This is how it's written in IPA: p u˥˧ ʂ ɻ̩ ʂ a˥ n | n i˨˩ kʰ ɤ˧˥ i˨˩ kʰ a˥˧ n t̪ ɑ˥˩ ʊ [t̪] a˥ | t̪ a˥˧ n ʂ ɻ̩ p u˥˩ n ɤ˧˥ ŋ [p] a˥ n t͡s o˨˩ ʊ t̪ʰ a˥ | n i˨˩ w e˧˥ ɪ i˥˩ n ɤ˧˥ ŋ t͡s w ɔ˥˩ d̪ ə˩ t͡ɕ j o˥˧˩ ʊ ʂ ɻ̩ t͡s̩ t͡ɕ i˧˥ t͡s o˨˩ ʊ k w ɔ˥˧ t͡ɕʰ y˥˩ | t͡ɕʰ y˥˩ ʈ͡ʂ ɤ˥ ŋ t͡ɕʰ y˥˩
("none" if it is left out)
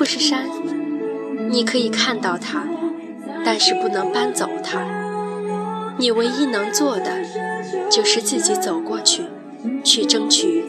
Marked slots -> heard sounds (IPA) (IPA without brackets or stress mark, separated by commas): t̪ʰ, p